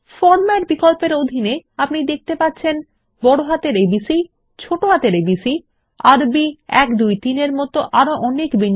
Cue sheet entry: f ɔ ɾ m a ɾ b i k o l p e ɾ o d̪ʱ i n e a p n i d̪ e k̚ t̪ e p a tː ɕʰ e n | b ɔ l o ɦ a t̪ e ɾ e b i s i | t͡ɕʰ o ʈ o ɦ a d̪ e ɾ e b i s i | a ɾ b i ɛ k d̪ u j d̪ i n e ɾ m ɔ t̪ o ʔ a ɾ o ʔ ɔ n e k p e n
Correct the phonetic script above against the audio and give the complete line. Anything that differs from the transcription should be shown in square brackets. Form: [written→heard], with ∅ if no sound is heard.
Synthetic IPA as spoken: f ɔ ɾ m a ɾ b i k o l p e ɾ o d̪ʱ i n e a p n i d̪ e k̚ t̪ e p a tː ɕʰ e n | b ɔ [l→ɽ] o ɦ a t̪ e ɾ e b i s i | t͡ɕʰ o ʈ o ɦ a [d̪→t̪] e ɾ e b i s i | a ɾ b i ɛ k d̪ u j [d̪→t̪] i n e ɾ m ɔ t̪ o ʔ a ɾ o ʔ ɔ n e k [p→b] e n